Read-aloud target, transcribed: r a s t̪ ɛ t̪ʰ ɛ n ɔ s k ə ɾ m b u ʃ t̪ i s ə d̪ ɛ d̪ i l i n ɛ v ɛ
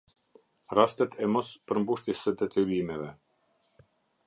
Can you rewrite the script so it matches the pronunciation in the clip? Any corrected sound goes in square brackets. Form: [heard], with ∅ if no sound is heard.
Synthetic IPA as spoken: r a s t̪ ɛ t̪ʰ ɛ [m] ɔ s [p] ə ɾ m b u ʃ t̪ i s ə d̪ ɛ [t̪] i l i [m] ɛ v ɛ

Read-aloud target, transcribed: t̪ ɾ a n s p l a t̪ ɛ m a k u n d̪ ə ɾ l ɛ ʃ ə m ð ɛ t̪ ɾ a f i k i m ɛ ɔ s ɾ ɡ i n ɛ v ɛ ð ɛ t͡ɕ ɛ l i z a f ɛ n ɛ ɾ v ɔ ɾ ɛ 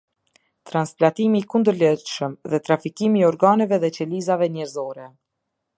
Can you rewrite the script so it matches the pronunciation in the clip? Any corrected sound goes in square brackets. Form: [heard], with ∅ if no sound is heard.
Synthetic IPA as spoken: t̪ ɾ a n s p l a t̪ [i] m [i] k u n d̪ ə ɾ l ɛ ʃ ə m ð ɛ t̪ ɾ a f i k i m [i] ɔ [∅] ɾ ɡ [a] n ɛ v ɛ ð ɛ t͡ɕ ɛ l i z a [v] ɛ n ɛ ɾ [z] ɔ ɾ ɛ

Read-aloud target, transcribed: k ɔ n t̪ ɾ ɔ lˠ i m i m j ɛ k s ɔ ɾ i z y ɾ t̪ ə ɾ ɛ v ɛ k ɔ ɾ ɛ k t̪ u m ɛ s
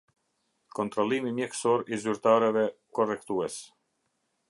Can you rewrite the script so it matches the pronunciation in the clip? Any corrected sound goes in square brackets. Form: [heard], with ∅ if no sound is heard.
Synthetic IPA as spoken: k ɔ n t̪ ɾ ɔ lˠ i m i m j ɛ k s ɔ ɾ i z y ɾ t̪ [a] ɾ ɛ v ɛ k ɔ [r] ɛ k t̪ u [∅] ɛ s

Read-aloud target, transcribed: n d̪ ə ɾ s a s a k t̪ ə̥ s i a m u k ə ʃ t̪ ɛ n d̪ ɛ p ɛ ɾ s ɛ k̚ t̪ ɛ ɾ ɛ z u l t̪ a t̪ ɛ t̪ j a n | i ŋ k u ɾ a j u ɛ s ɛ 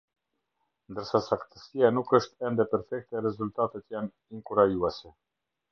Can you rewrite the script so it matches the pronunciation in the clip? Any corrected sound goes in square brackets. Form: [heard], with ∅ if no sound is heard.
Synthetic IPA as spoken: n d̪ ə ɾ s a s a k t̪ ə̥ s i a [n] u k ə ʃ t̪ ɛ n d̪ ɛ p ɛ ɾ [f] ɛ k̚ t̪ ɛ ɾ ɛ z u l t̪ a t̪ ɛ t̪ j a n | i ŋ k u ɾ a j u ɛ s ɛ

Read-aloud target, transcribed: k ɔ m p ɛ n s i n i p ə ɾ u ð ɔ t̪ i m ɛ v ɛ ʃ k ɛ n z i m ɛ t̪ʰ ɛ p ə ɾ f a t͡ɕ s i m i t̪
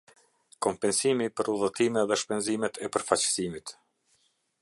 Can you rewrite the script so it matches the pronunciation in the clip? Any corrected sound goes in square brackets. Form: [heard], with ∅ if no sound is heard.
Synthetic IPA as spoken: k ɔ m p ɛ n s i [m] i p ə ɾ u ð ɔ t̪ i m ɛ [ð] ɛ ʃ [p] ɛ n z i m ɛ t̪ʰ ɛ p ə ɾ f a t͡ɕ s i m i t̪

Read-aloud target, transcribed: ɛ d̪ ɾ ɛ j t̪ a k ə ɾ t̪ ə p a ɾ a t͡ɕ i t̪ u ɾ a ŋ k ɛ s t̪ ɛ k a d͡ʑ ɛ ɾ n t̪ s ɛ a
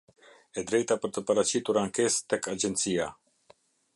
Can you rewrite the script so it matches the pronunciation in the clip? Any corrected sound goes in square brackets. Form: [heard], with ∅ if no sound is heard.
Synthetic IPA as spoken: ɛ d̪ ɾ ɛ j t̪ a [p] ə ɾ t̪ ə p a ɾ a t͡ɕ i t̪ u ɾ a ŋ k ɛ s t̪ ɛ k a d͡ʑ ɛ [∅] n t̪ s [i] a

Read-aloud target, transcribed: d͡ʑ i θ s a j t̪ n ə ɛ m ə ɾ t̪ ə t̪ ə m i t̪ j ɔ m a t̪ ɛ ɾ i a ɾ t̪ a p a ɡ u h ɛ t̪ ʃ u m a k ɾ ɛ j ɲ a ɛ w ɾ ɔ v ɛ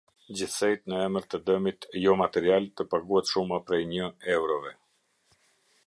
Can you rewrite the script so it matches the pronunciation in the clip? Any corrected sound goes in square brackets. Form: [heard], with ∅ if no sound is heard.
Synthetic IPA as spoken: d͡ʑ i θ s [ɛ] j t̪ n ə ɛ m ə ɾ t̪ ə [d̪] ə m i t̪ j ɔ m a t̪ ɛ ɾ i a [l] t̪ [ə] p a ɡ u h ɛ t̪ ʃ u m a [p] ɾ ɛ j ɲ [ə] ɛ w ɾ ɔ v ɛ

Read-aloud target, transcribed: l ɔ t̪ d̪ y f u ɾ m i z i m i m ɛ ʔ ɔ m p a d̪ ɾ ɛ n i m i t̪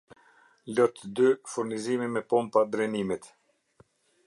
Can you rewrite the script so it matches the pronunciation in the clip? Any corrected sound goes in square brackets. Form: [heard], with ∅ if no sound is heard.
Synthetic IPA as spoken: l ɔ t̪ d̪ y f u ɾ [n] i z i m i m ɛ [p] ɔ m p a d̪ ɾ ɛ n i m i t̪

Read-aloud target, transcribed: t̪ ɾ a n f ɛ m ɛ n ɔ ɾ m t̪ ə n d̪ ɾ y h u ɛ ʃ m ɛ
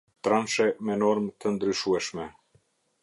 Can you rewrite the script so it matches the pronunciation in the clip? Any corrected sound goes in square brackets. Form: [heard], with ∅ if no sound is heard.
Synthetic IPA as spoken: t̪ ɾ a n [ʃ] ɛ m ɛ n ɔ ɾ m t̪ ə n d̪ ɾ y [ʃ] u ɛ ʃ m ɛ

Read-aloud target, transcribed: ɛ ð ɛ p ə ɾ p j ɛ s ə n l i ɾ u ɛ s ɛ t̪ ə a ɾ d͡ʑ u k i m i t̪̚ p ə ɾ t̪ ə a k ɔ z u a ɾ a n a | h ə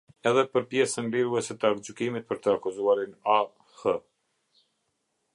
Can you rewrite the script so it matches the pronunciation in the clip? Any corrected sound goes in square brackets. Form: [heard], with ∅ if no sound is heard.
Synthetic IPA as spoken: ɛ ð ɛ p ə ɾ p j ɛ s ə n l i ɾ u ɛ s ɛ t̪ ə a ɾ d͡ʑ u k i m i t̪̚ p ə ɾ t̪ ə a k [u] z u a ɾ [i] n a | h ə

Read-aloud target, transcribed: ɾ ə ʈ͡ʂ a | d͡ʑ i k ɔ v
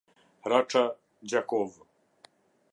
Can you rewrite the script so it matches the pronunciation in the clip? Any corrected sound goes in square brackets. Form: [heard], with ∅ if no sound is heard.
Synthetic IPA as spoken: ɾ [a] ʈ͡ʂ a | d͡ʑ [a] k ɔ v

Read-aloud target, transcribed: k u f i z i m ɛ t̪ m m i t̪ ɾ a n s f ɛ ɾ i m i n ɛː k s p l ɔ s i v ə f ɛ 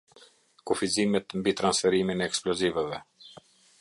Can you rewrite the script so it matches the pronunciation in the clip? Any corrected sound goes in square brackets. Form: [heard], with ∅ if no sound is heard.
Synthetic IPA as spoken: k u f i z i m ɛ t̪ m [b] i t̪ ɾ a n s f ɛ ɾ i m i n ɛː k s p l ɔ [z] i v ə [v] ɛ

